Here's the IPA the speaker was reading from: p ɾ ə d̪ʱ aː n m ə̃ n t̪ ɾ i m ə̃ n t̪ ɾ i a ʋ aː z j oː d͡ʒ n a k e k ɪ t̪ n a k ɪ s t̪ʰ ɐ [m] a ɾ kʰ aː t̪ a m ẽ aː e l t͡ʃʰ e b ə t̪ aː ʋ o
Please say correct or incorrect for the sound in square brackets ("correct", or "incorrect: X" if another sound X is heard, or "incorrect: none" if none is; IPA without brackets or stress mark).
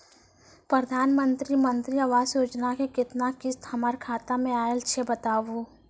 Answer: correct